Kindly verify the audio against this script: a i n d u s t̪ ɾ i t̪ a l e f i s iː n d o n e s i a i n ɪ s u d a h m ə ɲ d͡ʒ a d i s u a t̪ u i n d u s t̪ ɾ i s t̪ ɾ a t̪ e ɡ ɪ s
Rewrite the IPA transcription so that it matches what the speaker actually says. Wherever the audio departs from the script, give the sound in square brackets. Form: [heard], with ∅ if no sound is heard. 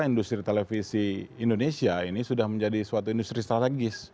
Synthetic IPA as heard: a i n d u s t̪ ɾ i t̪ [e] l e f i s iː n d o n e s i a i n [i] s u d a h m ə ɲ d͡ʒ a d i s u a t̪ u i n d u s t̪ ɾ i s t̪ ɾ a t̪ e ɡ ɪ s